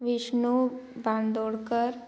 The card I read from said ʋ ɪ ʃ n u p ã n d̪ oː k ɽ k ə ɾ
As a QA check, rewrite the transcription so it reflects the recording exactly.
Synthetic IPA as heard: ʋ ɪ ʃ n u b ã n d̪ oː ɽ k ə ɾ